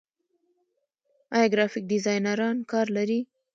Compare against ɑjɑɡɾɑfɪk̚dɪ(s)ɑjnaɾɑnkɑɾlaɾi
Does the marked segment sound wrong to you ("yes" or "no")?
yes